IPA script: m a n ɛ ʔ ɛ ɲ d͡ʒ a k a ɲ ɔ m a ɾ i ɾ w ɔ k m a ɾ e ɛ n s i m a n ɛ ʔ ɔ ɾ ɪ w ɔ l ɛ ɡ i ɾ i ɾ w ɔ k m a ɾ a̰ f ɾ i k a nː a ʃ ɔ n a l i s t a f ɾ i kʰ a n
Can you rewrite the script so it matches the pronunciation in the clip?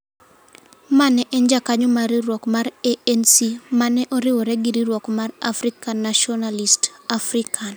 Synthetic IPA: m a n ɛ ʔ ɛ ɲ d͡ʒ a k a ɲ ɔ m a ɾ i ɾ w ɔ k m a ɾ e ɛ n s i m a n ɛ ʔ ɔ ɾ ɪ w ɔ ɾ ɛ ɡ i ɾ i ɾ w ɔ k m a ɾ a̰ f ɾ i k a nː a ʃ ɔ n a l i s t a f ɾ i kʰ a n